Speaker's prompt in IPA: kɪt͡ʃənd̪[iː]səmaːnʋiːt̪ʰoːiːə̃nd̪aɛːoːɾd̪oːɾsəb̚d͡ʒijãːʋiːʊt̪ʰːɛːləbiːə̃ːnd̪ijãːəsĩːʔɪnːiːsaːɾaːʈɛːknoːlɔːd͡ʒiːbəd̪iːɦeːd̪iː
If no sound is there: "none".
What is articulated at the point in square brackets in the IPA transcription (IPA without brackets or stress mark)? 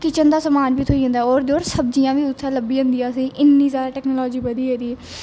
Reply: aː